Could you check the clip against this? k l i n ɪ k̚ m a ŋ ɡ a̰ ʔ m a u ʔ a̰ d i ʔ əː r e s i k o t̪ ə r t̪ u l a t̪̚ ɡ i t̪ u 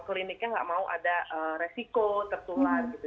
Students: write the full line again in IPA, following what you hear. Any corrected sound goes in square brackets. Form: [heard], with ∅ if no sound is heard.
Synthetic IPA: k l i n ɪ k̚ [ɲ] a ŋ ɡ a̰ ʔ m a u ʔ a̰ d [a] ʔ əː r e s i k o t̪ ə r t̪ u l a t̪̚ ɡ i t̪ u